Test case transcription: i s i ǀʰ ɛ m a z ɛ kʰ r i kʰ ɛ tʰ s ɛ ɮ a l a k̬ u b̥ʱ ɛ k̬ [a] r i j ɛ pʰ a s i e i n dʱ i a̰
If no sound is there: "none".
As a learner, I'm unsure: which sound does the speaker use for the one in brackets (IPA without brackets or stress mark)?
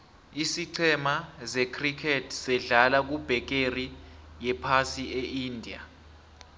e